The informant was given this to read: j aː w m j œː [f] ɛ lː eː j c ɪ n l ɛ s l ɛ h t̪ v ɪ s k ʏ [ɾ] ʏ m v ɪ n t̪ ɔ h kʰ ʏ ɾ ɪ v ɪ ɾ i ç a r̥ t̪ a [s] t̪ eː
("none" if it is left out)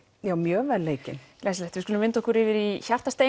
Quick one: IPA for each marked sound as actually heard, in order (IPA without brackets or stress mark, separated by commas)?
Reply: v, l, s